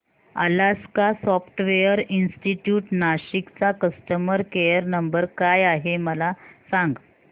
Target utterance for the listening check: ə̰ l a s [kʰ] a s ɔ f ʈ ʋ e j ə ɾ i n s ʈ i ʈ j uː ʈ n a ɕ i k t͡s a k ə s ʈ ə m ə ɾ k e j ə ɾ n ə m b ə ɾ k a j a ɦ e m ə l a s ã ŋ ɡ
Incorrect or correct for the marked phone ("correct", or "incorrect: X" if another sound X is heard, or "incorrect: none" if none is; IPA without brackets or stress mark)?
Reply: incorrect: k